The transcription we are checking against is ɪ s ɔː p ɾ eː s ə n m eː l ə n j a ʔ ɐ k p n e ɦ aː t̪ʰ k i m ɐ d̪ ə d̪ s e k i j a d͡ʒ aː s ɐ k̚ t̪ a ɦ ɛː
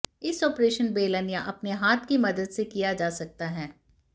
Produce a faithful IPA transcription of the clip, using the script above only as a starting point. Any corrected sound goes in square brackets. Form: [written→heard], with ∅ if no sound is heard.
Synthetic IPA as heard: ɪ s ɔː p ɾ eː [s→ʃ] ə n [m→b] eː l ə n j a ʔ ɐ [k→∅] p n e ɦ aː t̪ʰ k i m ɐ d̪ ə d̪ s e k i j a d͡ʒ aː s ɐ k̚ t̪ a ɦ ɛː

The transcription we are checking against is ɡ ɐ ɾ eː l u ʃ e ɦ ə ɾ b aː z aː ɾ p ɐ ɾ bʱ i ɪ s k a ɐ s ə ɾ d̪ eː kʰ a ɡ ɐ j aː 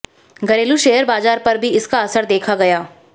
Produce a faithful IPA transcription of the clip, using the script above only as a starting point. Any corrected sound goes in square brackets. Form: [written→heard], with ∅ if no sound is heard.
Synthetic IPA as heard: ɡ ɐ ɾ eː l u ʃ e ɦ ə ɾ b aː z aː ɾ p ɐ ɾ bʱ i ɪ s k a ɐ s ə ɾ d̪ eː kʰ a ɡ ɐ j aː

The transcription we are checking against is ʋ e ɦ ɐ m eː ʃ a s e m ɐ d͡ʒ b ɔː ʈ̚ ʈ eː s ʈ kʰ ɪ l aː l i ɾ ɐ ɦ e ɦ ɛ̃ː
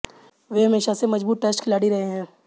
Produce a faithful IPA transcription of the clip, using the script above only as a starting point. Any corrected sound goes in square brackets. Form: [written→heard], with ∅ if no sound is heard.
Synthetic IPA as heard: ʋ e ɦ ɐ m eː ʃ a s e m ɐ d͡ʒ b [ɔː→uː] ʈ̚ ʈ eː s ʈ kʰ ɪ l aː [l→ɽ] i ɾ ɐ ɦ e ɦ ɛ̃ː

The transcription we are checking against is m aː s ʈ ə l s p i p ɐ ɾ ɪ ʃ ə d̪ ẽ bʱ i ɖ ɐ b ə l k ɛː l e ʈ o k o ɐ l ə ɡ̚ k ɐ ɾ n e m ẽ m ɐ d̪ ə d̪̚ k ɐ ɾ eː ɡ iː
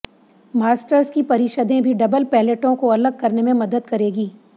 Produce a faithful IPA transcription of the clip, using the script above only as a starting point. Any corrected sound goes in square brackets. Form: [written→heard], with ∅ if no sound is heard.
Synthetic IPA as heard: m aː s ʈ ə [l→ɾ] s [p→k] i p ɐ ɾ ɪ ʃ ə d̪ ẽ bʱ i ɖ ɐ b ə l [k→p] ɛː l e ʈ [o→õ] k o ɐ l ə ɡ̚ k ɐ ɾ n e m ẽ m ɐ d̪ ə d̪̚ k ɐ ɾ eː ɡ iː

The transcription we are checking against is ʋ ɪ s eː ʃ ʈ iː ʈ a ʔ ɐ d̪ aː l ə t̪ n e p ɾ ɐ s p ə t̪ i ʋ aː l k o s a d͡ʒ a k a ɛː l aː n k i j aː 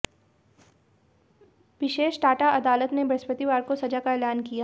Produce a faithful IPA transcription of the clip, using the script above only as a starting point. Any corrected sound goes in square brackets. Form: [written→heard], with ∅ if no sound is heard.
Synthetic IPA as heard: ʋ ɪ [s→ʃ] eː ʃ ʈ [iː→aː] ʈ a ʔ ɐ d̪ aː l ə t̪ n e [p→b] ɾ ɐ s p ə t̪ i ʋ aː [l→ɾ] k o s [a→ɐ] d͡ʒ a k a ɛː l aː n k i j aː

